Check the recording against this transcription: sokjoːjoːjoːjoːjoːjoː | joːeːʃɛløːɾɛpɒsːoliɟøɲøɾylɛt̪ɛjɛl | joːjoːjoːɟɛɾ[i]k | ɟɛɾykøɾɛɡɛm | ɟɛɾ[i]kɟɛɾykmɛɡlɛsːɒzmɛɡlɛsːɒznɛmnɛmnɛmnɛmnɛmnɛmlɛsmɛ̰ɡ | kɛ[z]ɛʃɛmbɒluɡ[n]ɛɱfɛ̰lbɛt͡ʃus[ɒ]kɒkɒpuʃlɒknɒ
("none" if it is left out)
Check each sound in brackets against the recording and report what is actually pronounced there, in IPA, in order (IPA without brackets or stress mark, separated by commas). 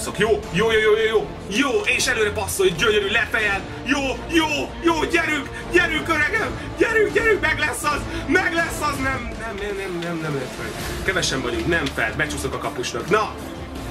y, y, v, n, o